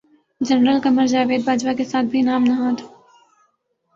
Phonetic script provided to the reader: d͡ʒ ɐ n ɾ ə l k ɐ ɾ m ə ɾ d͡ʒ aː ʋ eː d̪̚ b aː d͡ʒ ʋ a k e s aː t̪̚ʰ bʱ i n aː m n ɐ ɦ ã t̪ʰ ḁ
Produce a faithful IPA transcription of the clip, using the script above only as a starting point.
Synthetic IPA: d͡ʒ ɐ n ɾ ə l k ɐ m ə ɾ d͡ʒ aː ʋ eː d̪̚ b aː d͡ʒ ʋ a k e s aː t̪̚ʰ bʱ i n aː m n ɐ ɦ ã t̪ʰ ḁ